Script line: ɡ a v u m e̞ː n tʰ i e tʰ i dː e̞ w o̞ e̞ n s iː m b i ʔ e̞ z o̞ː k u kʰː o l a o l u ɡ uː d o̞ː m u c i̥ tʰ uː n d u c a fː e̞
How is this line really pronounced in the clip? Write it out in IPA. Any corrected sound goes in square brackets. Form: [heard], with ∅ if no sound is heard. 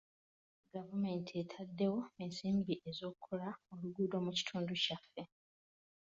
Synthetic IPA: ɡ a v u m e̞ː n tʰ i e tʰ [a] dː e̞ w o̞ e̞ n s iː m b i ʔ e̞ z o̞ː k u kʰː o l a o l u ɡ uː d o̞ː m u c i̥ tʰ uː n d u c a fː e̞